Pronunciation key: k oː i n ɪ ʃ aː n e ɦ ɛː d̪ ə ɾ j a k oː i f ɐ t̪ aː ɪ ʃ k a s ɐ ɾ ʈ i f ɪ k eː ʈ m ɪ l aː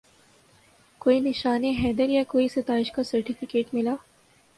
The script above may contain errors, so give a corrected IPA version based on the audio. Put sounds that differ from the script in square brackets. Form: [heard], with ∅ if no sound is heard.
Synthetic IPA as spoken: k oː i n ɪ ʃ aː n e ɦ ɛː d̪ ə ɾ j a k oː i [s] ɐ t̪ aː ɪ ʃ k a s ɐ ɾ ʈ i f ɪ k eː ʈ m ɪ l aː